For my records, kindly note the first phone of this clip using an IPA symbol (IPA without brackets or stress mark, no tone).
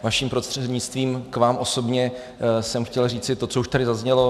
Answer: v